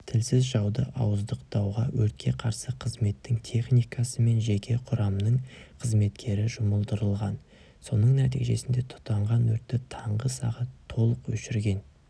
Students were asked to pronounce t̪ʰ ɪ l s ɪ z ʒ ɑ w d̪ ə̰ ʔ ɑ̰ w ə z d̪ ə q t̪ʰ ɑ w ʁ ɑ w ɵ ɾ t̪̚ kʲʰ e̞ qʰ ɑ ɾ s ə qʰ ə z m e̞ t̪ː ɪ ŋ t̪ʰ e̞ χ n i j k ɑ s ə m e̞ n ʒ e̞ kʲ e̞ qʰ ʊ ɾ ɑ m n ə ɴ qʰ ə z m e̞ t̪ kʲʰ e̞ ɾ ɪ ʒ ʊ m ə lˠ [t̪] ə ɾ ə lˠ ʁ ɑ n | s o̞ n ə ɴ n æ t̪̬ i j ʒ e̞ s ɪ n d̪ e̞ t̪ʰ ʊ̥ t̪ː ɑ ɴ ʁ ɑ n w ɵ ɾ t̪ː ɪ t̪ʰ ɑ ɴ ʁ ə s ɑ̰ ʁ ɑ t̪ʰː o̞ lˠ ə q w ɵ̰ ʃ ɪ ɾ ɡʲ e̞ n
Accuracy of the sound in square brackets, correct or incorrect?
incorrect